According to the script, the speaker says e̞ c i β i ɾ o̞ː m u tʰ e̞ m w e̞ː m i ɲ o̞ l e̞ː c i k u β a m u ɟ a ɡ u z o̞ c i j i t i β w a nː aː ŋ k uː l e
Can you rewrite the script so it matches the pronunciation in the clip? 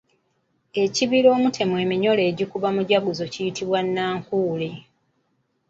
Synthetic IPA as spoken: e̞ c i β i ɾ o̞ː m u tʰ e̞ m w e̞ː m i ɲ o̞ l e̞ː ɟ i k u β a m u ɟ a ɡ u z o̞ c i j i t i β w a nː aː ŋ k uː l e